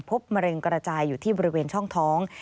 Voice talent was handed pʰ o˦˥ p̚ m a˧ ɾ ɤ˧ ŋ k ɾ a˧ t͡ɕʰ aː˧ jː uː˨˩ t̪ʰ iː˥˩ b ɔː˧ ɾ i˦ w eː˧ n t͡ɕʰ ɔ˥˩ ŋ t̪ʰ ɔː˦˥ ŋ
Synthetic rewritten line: pʰ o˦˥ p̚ m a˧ ɾ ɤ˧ ŋ k ɾ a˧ t͡ɕ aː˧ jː uː˨˩ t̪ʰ iː˥˩ b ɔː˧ ɾ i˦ w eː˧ n t͡ɕʰ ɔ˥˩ ŋ t̪ʰ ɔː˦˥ ŋ

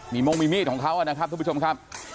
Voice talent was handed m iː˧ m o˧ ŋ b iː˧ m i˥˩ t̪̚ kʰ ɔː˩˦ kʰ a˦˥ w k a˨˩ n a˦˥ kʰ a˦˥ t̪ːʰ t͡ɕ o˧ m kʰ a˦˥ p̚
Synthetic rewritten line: m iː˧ m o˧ ŋ m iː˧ m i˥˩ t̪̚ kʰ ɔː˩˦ kʰ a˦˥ w ʔ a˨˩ n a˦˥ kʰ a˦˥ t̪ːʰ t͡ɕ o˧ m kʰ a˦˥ p̚

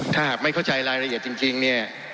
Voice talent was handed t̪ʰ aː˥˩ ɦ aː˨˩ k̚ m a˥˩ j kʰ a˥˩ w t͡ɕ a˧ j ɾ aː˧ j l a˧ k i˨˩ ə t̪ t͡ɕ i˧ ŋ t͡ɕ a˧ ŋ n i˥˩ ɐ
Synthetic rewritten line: t̪ʰ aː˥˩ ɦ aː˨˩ k̚ m a˥˩ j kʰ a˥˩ w t͡ɕ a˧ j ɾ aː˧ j ɾ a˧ ʔ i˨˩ ə t̪ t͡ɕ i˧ ŋ t͡ɕ i˧ ŋ n i˥˩ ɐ

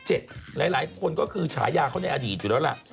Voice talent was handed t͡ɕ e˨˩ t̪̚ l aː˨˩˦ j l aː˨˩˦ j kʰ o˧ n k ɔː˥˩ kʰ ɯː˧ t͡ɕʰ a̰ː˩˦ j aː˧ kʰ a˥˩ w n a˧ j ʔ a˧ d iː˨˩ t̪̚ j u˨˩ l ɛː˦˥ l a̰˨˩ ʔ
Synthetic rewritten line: t͡ɕ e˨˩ t̪̚ l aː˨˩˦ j l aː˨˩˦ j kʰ o˧ n k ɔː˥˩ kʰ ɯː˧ t͡ɕʰ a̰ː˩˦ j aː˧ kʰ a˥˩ w n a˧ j ʔ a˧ d iː˨˩ t̪̚ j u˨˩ l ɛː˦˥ l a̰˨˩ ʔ

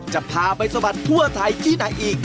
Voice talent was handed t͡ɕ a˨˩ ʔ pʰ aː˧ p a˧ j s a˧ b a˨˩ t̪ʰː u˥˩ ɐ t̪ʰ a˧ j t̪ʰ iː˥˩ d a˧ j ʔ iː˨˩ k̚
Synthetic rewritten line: t͡ɕ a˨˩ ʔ pʰ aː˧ p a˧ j s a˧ b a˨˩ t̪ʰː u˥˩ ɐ t̪ʰ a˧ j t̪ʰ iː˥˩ n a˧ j ʔ iː˨˩ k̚

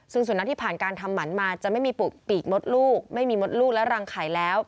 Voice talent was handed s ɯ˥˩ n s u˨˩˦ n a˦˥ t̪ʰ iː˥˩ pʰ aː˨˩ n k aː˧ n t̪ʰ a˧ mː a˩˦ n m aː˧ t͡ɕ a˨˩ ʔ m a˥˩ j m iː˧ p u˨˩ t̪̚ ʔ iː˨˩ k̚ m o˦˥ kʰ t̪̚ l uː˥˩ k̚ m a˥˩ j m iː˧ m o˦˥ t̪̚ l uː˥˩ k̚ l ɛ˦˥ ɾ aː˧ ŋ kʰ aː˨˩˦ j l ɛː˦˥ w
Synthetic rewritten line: s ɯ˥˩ ŋ s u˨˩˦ n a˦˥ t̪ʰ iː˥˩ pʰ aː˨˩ n k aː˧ n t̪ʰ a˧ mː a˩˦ n m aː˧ t͡ɕ a˨˩ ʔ m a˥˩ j m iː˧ p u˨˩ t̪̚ p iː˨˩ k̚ m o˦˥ t̪̚ l uː˥˩ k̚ m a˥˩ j m iː˧ m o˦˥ t̪̚ l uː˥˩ k̚ l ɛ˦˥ ɾ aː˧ ŋ kʰ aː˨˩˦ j l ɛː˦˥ w

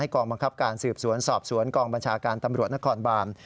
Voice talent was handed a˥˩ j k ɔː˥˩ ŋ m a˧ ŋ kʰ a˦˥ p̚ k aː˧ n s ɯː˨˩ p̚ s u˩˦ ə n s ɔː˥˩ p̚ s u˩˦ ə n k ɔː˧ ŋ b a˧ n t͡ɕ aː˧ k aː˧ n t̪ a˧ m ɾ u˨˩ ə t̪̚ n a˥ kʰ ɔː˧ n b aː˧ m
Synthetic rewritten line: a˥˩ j k ɔː˧ ŋ b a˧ ŋ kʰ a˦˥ p̚ k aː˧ n s ɯː˨˩ p̚ s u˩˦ ə n s ɔː˨˩ p̚ s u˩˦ ə n k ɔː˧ ŋ b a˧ n t͡ɕʰ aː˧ k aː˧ n t̪ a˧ m ɾ u˨˩ ə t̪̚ n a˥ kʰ ɔː˧ n b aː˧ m

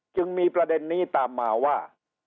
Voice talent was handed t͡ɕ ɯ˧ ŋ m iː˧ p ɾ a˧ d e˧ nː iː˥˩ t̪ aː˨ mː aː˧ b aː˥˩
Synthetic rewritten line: t͡ɕ ɯ˧ ŋ m iː˧ p ɾ a˧ d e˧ nː iː˥˩ t̪ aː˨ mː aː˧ w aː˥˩

